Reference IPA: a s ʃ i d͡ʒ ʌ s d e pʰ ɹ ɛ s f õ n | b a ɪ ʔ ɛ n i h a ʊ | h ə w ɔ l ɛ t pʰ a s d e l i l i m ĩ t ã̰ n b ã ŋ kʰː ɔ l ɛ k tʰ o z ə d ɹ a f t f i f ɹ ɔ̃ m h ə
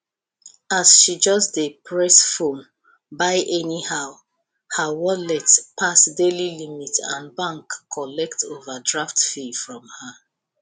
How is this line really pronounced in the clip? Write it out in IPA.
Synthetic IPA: a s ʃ i d͡ʒ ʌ s d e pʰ ɹ ɛ s f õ n | b a ɪ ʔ ɛ n i h a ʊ | h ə w ɔ l ɛ t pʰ a s d e l i l i m i t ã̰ n b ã ŋ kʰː ɔ l ɛ k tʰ o v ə d ɹ a f t f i f ɹ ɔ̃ m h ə

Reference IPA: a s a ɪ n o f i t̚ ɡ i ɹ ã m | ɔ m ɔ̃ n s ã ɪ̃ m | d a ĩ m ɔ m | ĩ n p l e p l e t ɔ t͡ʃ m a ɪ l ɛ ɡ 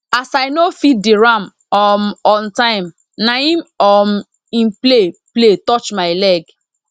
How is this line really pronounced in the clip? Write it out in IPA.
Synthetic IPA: a s a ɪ n o f i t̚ d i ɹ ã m | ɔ m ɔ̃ n t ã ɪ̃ m | n a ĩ m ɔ m | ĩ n p l e p l e t ɔ t͡ʃ m a ɪ l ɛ ɡ

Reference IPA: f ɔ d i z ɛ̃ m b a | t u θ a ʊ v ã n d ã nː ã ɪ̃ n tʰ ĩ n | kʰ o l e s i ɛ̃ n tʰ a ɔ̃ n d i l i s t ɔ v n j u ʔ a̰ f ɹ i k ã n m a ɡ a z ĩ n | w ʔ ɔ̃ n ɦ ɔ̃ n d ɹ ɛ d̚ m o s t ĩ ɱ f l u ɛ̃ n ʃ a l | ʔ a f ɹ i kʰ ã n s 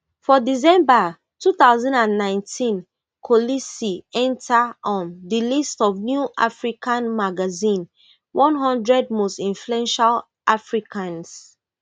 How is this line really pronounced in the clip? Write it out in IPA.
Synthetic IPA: f ɔ d i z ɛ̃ m b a | t u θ a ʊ z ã n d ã nː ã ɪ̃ n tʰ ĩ n | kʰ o l i s i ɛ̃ n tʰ a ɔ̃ n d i l i s t ɔ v n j u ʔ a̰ f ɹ i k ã n m a ɡ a z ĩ n | w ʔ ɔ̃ n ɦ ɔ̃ n d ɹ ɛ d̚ m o s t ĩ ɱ f l u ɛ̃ n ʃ a l | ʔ a f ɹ i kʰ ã n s

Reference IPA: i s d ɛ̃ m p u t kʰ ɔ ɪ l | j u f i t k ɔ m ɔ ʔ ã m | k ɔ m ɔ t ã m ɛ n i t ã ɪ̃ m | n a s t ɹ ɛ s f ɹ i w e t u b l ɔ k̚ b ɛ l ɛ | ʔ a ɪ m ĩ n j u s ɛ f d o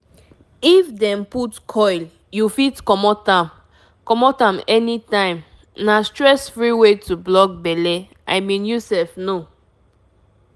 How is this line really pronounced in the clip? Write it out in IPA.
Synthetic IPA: i f d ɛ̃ m p u t kʰ ɔ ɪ l | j u f i t k ɔ m ɔ t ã m | k ɔ m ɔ t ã m ɛ n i t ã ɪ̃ m | n a s t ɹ ɛ s f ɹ i w e t u b l ɔ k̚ b ɛ l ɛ | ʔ a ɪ m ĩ n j u s ɛ f n o

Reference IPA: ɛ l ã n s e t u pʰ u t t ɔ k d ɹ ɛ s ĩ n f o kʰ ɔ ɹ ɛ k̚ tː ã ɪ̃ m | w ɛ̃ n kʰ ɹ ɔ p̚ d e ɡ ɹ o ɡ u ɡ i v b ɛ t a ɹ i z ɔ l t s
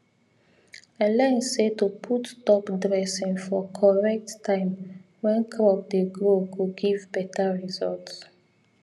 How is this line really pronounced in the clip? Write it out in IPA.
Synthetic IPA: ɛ l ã n s e t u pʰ u t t ɔ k d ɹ ɛ s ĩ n f ɔ kʰ ɔ ɹ ɛ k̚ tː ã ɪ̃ m | w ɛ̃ n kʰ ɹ ɔ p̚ d e ɡ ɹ o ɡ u ɡ i v b ɛ t a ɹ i z ɔ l t s

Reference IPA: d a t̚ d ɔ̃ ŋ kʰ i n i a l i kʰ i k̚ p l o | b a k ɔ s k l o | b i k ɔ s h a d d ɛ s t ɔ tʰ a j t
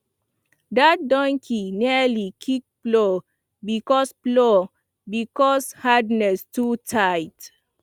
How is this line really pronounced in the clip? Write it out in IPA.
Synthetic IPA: d a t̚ d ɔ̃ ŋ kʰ i n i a l i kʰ i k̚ p l o | b i k ɔ s p l o | b i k ɔ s h a d n ɛ s t u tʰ a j t

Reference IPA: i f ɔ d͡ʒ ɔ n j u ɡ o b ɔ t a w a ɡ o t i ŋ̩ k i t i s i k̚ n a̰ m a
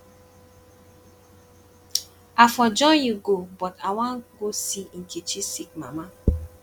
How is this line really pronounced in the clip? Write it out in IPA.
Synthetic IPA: a f ɔ d͡ʒ ɔ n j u ɡ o b ɔ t a w a ɡ o s i ŋ̩ k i t͡ʃ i s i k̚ m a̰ m a

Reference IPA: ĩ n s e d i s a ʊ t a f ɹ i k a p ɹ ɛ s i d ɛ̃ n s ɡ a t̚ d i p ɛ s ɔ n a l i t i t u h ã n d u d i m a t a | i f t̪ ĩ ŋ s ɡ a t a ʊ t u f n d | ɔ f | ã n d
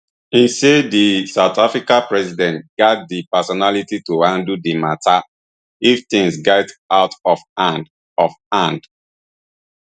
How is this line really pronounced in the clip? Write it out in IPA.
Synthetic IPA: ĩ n s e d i s a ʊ t a f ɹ i k a p ɹ ɛ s i d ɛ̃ n t ɡ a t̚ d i p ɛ s ɔ n a l i t i t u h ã n d u d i m a t a | i f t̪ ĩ ŋ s ɡ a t a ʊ t ɔ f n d | ɔ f | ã n d

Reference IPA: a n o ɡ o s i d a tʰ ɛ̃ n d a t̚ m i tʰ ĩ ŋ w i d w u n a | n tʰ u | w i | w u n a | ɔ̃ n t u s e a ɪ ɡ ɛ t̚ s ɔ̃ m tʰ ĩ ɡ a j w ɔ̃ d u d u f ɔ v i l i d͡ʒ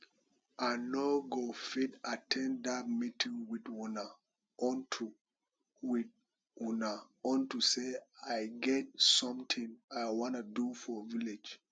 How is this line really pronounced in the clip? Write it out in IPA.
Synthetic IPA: a n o ɡ o f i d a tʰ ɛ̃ n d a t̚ m i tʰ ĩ ŋ w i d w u n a | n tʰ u | w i | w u n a | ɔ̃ n t u s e a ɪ ɡ ɛ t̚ s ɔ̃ m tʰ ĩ ŋ a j w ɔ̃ n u d u f ɔ v i l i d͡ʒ

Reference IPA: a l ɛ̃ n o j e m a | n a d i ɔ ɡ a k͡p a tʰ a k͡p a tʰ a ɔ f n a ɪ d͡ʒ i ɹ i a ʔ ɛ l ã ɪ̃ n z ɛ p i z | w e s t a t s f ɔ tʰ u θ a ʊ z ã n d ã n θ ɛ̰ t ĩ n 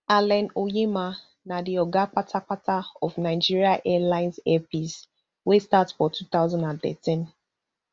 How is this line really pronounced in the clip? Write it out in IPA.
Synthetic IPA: a l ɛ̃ n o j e m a | n a d i ɔ ɡ a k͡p a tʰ a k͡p a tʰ a ɔ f n a ɪ d͡ʒ i ɹ i a ʔ ɛ l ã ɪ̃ n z ɛ p i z | w e s t a t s f ɔ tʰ u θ a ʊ z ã n d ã n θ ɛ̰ t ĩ n

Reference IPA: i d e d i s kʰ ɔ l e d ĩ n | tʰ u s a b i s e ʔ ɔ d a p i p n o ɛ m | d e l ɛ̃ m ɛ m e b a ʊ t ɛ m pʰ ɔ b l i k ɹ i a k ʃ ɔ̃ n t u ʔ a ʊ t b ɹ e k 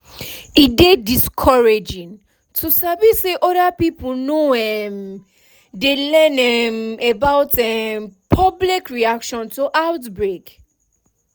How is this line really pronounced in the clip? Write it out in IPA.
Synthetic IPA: i d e d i s kʰ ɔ ɹ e d͡ʒ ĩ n | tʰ u s a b i s e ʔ ɔ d a p i p n o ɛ m | d e l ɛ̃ n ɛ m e b a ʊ t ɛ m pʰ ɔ b l i k ɹ i a k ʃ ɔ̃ n t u ʔ a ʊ t b ɹ e k

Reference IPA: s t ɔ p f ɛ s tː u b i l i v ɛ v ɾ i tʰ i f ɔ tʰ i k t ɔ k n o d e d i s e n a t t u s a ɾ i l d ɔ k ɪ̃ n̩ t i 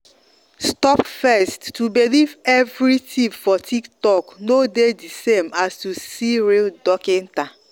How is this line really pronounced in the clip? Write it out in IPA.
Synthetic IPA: s t ɔ p f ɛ s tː u b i l i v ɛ v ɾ i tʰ i f ɔ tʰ i k t ɔ k n o d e d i s e m a s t u s i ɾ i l d ɔ k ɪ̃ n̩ t a

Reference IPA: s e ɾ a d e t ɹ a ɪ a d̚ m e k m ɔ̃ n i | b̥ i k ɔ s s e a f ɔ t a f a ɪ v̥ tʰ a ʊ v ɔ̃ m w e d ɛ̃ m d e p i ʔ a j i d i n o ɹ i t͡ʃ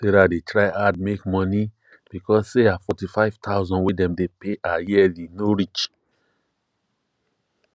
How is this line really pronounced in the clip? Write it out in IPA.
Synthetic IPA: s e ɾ a d e t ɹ a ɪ a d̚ m e k m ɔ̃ n i | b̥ i k ɔ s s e a f ɔ t i f a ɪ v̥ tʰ a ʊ z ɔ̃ n w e d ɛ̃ m d e p e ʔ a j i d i n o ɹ i t͡ʃ

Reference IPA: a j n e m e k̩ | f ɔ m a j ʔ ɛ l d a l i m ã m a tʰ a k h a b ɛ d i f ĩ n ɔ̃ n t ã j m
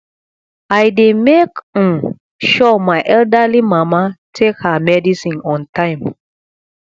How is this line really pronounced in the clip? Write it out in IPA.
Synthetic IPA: a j d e m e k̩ | ʃ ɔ m a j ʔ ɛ l d a l i m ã m a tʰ e k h a m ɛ d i s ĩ n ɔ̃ n t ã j m

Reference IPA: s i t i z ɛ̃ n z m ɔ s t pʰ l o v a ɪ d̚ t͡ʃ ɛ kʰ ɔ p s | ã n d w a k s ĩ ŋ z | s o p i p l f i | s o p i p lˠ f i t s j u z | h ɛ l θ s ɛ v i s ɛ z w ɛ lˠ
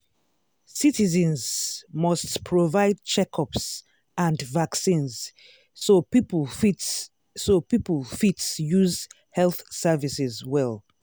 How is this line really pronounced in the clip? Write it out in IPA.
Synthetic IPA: s i t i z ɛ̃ n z m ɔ s t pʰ ɹ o v a ɪ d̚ t͡ʃ ɛ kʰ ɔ p s | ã n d v a k s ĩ n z | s o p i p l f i | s o p i p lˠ f i t s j u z | h ɛ l θ s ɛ v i s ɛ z w ɛ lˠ

